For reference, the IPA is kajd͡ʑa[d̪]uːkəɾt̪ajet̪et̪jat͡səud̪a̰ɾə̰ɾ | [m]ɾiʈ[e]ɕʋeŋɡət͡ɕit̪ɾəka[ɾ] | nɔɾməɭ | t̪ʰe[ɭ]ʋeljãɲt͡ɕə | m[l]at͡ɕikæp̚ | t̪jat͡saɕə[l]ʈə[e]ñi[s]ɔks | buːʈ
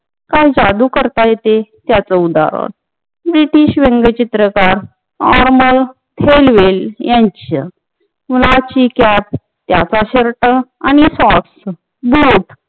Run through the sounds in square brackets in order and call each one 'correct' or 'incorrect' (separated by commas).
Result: correct, incorrect, incorrect, correct, incorrect, correct, incorrect, incorrect, correct